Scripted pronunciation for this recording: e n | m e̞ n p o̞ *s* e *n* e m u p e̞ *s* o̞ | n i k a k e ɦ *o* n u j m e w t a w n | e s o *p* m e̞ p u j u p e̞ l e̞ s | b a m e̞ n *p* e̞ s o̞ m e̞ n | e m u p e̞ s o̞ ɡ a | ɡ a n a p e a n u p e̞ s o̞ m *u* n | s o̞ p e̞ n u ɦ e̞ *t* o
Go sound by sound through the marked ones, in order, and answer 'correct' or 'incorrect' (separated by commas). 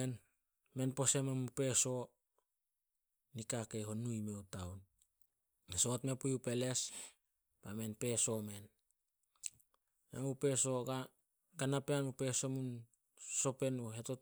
correct, incorrect, correct, correct, incorrect, correct, correct, correct